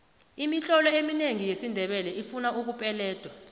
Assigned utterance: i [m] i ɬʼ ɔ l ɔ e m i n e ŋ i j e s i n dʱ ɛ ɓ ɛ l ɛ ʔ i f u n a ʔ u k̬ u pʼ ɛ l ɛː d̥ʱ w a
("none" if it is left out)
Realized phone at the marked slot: m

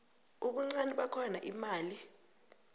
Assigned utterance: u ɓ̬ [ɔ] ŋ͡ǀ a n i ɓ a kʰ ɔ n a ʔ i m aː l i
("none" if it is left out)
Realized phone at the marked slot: u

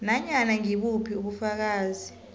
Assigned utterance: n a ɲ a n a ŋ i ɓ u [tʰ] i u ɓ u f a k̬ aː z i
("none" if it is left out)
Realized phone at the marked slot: pʰ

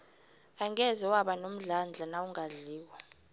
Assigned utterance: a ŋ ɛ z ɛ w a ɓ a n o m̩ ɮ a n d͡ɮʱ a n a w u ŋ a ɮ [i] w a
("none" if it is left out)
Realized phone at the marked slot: iː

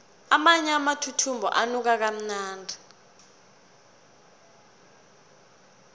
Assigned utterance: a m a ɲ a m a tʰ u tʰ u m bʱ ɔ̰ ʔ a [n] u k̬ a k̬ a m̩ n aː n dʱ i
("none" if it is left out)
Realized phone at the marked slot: n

